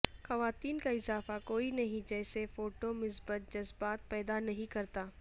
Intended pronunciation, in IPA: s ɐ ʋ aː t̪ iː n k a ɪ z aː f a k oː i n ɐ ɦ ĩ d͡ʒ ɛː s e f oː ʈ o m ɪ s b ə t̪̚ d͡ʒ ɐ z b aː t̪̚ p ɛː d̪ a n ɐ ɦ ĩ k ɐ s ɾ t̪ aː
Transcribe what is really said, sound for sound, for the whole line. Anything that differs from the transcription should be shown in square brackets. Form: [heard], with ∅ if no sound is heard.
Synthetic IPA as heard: [x] ɐ ʋ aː t̪ iː n k a ɪ z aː f a k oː i n ɐ ɦ ĩ d͡ʒ ɛː s e f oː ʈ o m ɪ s b ə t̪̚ d͡ʒ ɐ z b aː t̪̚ p ɛː d̪ a n ɐ ɦ ĩ k ɐ [∅] ɾ t̪ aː